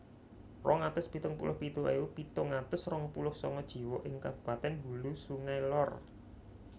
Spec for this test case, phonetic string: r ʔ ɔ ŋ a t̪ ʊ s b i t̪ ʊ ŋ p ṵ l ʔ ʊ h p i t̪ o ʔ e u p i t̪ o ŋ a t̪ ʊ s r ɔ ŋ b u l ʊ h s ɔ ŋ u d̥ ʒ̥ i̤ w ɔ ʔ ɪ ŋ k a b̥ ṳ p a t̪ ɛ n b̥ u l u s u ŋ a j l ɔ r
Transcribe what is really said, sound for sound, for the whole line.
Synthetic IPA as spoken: r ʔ ɔ ŋ a t̪ ʊ s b i t̪ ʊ ŋ p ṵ l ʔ ʊ h p i t̪ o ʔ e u p i t̪ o ŋ a t̪ ʊ s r ɔ ŋ p u l ʊ h s ɔ ŋ ɔ d̥ ʒ̥ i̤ w ɔ ʔ ɪ ŋ k a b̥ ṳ p a t̪ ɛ n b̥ u l u s u ŋ a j l ɔ r